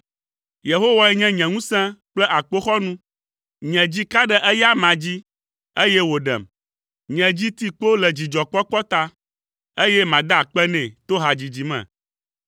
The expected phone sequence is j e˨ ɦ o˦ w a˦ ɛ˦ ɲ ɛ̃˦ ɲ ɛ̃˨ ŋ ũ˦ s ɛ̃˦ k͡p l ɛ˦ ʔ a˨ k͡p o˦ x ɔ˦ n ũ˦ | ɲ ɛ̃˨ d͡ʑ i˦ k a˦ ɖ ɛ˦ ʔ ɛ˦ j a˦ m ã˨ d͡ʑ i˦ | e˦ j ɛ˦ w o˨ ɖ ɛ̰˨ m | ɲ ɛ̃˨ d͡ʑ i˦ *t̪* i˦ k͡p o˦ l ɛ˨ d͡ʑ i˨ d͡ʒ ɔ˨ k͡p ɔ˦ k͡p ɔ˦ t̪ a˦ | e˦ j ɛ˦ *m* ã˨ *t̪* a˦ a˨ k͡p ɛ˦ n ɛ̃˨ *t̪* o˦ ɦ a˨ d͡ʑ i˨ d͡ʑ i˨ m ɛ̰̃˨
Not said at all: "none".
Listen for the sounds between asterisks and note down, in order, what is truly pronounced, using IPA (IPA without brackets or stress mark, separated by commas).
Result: t̪, m, d̪, t̪